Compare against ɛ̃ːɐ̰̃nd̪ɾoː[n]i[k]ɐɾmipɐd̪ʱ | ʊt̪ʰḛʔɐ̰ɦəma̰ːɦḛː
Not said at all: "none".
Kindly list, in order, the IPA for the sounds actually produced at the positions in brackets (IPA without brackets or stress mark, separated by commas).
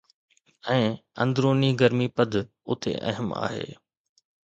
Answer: n, ɡ